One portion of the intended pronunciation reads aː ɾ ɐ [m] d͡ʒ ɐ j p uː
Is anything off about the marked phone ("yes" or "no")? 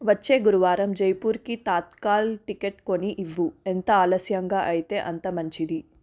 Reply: no